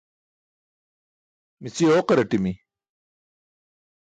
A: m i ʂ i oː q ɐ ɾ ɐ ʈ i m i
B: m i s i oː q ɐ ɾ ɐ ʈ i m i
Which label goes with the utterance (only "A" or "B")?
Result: B